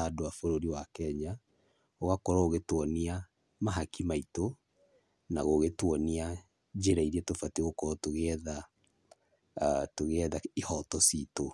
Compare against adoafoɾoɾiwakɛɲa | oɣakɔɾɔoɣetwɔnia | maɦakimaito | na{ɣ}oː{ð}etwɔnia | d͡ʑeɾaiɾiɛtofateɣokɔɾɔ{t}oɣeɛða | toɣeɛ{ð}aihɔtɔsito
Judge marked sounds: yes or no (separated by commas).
yes, no, yes, yes